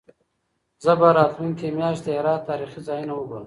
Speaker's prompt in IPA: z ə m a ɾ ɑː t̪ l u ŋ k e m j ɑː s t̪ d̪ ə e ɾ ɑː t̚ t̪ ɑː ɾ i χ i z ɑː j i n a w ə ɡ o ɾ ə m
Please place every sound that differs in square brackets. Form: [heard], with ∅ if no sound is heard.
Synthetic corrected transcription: z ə [b] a ɾ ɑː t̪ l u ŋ k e m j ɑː [ʃ] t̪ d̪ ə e ɾ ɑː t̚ t̪ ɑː ɾ i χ i z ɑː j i n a w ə ɡ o ɾ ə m